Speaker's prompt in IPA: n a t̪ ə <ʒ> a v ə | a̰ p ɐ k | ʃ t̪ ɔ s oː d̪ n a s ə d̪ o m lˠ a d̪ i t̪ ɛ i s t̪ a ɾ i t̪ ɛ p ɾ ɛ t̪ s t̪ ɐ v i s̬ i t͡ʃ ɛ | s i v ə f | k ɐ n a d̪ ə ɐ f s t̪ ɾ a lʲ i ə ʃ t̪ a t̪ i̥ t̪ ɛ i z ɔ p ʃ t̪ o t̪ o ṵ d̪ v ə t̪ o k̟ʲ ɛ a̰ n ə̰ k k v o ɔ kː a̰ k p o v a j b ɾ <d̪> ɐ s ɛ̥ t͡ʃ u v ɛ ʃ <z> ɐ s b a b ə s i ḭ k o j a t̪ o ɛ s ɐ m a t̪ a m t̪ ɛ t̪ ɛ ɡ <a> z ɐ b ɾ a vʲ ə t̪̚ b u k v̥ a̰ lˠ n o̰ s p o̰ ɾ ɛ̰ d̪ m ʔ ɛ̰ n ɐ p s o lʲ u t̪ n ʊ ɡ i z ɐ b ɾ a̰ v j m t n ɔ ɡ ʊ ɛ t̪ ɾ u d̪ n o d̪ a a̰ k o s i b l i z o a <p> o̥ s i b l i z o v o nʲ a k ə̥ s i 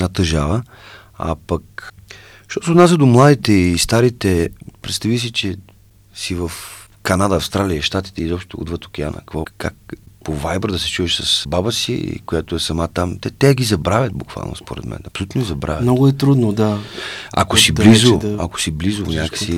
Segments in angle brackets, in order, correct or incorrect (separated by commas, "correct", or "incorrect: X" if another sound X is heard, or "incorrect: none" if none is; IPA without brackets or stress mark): correct, correct, incorrect: s, incorrect: i, incorrect: k